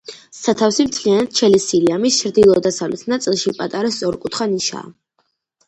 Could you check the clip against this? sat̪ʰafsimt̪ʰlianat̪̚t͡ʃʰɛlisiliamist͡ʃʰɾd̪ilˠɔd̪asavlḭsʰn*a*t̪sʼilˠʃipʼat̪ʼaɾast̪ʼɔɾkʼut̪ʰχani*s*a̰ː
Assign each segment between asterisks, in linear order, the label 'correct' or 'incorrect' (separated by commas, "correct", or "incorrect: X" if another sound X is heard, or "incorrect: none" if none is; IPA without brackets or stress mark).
correct, incorrect: ʃ